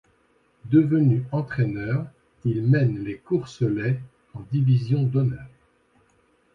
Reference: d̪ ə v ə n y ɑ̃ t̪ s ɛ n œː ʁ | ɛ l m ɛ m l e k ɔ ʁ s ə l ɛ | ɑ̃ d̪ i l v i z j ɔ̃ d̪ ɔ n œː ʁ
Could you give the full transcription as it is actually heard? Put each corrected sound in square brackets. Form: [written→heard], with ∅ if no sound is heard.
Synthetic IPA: d̪ ə v ə n y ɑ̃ t̪ [s→χ] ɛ n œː ʁ | [ɛ→i] l m ɛ [m→n] l e k [ɔ→u] ʁ s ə l ɛ | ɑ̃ d̪ i [l→∅] v i z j ɔ̃ d̪ ɔ n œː ʁ